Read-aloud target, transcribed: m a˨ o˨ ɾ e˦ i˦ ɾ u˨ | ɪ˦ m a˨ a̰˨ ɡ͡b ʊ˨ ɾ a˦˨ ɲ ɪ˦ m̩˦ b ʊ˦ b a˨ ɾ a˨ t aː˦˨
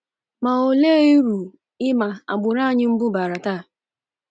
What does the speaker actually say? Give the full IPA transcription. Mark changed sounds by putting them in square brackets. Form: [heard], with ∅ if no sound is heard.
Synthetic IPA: m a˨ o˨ [l] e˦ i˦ ɾ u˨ | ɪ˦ m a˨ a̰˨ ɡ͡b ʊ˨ ɾ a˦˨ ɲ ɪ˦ m̩˦ b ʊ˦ b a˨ ɾ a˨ t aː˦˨